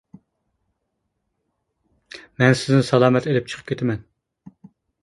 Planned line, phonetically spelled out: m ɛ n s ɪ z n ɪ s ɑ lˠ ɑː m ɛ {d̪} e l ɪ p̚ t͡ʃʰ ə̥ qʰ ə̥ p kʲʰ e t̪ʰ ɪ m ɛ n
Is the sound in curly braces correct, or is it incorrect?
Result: incorrect